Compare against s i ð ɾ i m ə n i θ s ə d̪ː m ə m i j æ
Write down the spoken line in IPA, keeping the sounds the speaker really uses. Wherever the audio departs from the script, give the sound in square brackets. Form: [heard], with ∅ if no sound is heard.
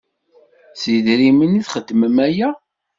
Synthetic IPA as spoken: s i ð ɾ i m ə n i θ [χ] ə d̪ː m ə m [æ] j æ